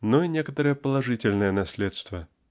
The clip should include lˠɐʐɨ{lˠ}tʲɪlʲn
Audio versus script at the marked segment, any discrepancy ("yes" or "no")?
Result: yes